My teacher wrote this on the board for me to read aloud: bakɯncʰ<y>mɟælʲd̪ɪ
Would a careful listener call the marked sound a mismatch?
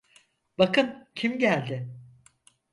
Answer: yes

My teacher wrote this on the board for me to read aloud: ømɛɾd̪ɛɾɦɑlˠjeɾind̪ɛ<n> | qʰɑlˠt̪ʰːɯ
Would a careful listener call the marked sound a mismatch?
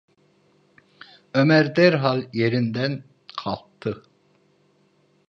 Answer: no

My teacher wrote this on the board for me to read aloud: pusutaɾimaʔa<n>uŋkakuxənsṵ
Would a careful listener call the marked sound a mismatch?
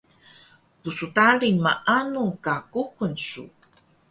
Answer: no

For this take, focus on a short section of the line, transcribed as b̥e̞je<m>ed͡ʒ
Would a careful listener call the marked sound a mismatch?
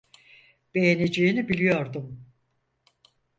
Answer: yes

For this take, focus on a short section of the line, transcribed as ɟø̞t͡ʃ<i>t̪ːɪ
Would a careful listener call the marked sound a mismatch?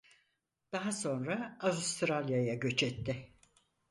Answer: yes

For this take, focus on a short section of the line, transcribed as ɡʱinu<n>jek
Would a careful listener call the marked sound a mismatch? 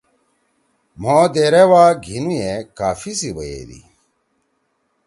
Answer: yes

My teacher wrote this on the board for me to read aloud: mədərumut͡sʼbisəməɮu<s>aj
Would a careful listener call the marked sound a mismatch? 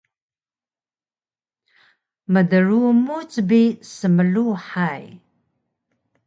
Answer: yes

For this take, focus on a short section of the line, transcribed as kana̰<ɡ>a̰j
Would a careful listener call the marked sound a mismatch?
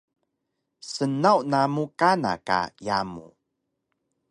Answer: yes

